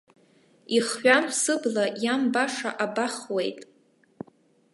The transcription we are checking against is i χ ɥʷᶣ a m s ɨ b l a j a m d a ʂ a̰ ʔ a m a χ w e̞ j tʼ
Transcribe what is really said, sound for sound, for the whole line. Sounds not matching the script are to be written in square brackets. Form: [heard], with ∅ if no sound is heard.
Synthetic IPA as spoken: i χ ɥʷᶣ a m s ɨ b l a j a m [b] a ʂ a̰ ʔ a [b] a χ w e̞ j tʼ